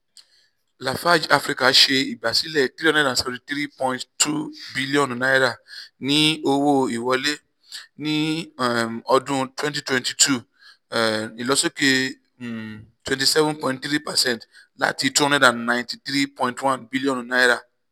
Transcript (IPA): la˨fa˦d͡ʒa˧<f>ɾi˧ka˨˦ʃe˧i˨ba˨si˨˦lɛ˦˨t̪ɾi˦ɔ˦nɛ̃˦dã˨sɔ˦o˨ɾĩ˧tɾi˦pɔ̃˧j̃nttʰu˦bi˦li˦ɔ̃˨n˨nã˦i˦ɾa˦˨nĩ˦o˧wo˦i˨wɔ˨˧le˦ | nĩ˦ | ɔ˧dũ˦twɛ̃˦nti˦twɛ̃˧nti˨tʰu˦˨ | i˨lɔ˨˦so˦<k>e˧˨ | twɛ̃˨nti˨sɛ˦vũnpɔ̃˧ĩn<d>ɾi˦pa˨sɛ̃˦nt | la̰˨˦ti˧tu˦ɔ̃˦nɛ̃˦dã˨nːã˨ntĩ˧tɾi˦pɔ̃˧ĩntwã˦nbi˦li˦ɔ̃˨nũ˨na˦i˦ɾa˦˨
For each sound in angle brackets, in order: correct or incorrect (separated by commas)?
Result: correct, correct, incorrect